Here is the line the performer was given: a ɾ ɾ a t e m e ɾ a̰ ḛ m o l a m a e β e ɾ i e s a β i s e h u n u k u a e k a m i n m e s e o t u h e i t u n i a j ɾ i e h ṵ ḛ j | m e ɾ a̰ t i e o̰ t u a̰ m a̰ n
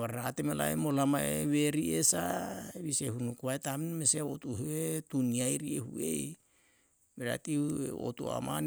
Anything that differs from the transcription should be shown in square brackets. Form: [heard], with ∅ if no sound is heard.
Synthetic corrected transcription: a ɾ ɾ a t e m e [l] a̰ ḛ m o l a m a e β e ɾ i e s a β i s e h u n u k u a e [t] a m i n m e s e o t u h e [e] t u n i a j ɾ i e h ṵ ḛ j | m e ɾ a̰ t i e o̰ t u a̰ m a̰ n